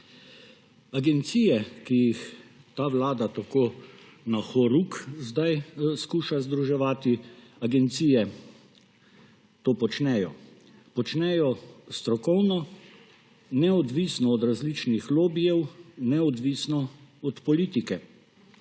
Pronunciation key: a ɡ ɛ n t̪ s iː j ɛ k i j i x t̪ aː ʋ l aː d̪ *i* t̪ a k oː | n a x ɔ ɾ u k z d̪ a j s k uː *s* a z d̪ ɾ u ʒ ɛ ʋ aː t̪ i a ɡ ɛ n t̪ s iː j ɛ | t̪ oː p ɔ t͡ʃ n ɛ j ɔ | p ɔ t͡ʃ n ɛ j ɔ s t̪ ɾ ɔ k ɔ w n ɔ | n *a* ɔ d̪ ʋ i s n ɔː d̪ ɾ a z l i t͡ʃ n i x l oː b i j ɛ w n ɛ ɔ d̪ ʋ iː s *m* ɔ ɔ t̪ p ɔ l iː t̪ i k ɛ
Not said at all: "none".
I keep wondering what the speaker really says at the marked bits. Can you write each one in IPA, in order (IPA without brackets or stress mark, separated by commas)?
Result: a, ʃ, ɛ, n